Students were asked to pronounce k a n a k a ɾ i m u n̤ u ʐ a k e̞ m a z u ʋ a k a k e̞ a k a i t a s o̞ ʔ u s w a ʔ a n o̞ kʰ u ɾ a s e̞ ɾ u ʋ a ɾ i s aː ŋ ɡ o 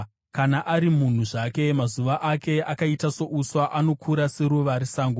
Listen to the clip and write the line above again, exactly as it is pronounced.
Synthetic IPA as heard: k a n a ʔ a ɾ i m u n̤ u ʐ a k e̞ m a z u ʋ a ʔ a k e̞ a k a i t a s o̞ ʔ u s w a ʔ a n o̞ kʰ u ɾ a s e̞ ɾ u ʋ a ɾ i s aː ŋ ɡ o